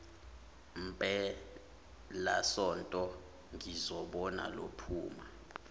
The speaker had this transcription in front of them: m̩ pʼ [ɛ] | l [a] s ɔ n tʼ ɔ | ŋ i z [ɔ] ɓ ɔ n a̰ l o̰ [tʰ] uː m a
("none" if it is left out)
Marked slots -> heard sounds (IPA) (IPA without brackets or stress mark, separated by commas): ɛ, a, ɔ, pʰ